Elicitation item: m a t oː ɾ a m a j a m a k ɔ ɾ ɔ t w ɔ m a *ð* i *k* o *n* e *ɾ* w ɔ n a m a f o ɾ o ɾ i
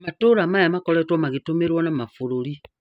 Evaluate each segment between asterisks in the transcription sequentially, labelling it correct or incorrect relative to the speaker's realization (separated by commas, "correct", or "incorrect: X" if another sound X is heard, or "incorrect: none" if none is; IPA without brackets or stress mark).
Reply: incorrect: ɣ, incorrect: t, incorrect: m, correct